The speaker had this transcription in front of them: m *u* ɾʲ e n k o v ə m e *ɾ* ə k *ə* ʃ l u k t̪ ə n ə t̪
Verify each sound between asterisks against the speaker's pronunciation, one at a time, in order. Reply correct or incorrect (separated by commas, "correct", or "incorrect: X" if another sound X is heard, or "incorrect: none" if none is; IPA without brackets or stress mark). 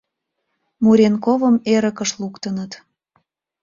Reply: correct, correct, correct